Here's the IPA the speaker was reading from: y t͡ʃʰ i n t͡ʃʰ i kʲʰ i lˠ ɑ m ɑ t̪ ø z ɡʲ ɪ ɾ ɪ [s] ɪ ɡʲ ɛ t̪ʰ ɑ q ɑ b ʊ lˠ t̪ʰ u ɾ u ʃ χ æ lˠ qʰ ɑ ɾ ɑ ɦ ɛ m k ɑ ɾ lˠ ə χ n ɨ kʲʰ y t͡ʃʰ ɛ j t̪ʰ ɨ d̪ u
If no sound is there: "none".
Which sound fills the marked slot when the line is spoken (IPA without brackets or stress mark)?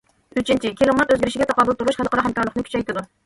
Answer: ʃ